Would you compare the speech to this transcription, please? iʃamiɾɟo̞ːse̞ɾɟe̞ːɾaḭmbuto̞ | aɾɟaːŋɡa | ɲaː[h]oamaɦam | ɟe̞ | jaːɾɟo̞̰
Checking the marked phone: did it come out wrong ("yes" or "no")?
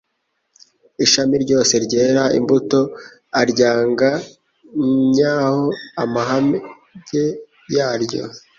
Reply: no